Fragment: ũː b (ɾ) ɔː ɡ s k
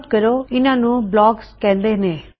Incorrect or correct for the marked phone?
incorrect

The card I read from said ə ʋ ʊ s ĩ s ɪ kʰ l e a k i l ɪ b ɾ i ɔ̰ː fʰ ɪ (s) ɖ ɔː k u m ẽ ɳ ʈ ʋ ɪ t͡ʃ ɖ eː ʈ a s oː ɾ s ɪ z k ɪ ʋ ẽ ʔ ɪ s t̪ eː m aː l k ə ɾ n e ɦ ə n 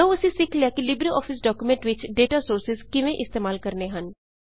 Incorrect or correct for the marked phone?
correct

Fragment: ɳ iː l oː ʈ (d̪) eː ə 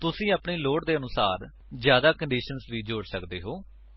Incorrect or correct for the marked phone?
correct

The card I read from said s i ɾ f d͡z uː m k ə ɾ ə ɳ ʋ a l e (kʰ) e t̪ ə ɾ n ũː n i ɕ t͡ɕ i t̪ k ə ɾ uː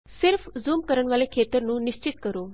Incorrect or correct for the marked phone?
correct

